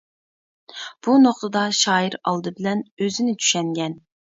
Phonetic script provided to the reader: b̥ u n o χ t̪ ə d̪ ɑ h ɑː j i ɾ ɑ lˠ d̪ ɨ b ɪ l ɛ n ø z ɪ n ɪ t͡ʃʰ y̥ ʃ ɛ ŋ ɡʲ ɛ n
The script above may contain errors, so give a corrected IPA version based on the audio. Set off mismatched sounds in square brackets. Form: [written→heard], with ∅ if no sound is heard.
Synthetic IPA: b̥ u n o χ t̪ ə d̪ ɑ [h→ʃ] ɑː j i ɾ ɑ lˠ d̪ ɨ b ɪ l ɛ n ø z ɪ n ɪ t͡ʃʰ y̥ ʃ ɛ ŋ ɡʲ ɛ n